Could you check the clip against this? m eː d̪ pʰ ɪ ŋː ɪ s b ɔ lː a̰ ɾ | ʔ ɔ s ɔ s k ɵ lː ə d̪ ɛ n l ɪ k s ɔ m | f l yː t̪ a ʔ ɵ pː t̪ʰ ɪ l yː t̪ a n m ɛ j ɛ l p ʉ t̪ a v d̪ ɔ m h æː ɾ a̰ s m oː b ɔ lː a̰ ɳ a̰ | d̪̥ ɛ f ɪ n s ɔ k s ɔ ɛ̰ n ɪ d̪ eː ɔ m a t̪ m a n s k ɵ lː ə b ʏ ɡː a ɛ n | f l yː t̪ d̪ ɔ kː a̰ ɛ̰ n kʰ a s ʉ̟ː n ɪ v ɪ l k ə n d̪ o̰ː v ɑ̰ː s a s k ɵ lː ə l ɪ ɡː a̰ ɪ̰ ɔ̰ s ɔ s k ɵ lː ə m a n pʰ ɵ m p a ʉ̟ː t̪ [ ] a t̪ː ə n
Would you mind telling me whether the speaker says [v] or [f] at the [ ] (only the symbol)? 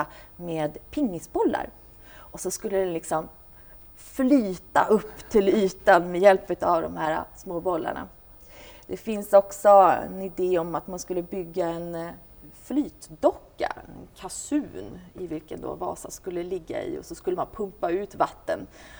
v